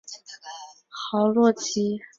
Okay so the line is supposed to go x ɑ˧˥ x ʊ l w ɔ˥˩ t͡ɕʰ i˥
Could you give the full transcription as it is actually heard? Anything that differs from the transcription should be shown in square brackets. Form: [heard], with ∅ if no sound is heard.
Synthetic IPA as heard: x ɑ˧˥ [∅] ʊ l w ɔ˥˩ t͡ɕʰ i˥